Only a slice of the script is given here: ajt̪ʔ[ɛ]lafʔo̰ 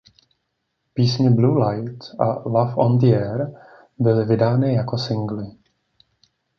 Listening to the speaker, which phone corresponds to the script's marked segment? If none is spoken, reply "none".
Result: a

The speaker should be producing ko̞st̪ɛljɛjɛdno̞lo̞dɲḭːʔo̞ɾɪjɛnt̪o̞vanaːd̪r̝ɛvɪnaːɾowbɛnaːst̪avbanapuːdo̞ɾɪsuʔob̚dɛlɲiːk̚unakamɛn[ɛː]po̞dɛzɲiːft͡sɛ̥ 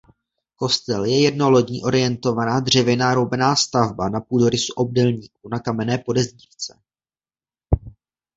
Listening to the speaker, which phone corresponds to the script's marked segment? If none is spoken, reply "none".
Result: ɛː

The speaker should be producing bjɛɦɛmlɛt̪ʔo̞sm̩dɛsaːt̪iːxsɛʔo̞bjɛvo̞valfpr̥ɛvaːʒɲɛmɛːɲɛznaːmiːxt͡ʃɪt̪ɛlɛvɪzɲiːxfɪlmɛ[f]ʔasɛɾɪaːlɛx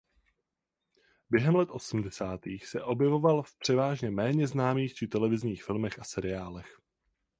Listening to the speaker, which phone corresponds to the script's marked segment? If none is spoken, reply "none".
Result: x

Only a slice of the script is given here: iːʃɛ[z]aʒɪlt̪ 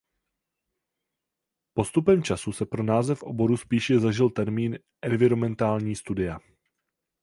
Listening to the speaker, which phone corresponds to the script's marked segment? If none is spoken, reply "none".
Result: z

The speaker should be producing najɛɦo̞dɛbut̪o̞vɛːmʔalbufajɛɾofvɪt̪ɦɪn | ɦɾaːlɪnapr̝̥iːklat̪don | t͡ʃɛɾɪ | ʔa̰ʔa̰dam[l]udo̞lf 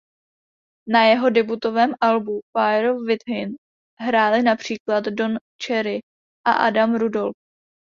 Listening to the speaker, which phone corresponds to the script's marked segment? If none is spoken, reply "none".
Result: ɾ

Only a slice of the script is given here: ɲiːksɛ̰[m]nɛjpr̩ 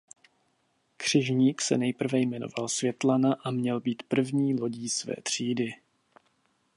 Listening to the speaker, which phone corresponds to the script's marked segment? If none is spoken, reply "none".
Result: none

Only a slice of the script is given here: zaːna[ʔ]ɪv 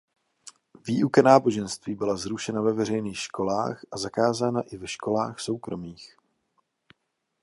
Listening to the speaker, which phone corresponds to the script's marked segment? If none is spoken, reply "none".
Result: ʔ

